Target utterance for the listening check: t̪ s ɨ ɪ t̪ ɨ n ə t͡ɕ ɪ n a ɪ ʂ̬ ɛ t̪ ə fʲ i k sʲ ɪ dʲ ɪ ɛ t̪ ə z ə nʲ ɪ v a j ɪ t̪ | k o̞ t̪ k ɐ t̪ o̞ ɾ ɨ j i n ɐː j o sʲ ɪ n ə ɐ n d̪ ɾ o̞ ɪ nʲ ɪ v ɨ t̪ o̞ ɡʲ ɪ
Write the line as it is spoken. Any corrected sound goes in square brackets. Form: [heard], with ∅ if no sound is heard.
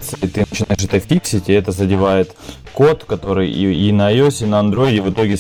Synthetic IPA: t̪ s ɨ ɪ t̪ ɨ n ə t͡ɕ ɪ n a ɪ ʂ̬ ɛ t̪ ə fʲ i k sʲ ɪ [tʲ] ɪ ɛ t̪ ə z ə [dʲ] ɪ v a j ɪ t̪ | k o̞ t̪ k ɐ t̪ o̞ ɾ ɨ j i n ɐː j o sʲ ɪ n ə ɐ n d̪ ɾ o̞ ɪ [dʲ] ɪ v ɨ t̪ o̞ ɡʲ ɪ